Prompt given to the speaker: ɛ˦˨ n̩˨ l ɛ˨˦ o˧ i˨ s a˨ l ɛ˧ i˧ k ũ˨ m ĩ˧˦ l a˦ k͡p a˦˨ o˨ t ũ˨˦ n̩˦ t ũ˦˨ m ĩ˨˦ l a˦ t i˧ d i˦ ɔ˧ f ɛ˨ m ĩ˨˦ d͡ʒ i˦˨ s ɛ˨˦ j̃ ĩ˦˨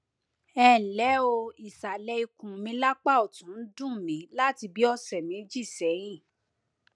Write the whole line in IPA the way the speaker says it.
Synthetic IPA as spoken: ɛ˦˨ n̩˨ l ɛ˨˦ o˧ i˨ s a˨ l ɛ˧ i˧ k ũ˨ m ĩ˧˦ l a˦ k͡p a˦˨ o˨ t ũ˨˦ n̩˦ d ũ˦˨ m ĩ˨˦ l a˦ t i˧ b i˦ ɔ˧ s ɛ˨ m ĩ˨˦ d͡ʒ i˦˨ s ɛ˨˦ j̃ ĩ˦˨